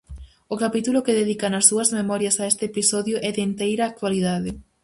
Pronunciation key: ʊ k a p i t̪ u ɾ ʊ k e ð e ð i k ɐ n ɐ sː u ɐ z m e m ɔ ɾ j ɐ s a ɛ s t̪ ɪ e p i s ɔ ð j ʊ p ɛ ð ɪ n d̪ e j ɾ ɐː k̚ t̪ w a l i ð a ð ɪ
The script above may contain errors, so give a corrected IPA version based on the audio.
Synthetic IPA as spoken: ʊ k a p i t̪ u l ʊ k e ð e ð i k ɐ n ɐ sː u ɐ z m e m ɔ ɾ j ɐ s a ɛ s t̪ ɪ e p i s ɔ ð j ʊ ʔ ɛ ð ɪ n t̪ e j ɾ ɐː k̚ t̪ w a l i ð a ð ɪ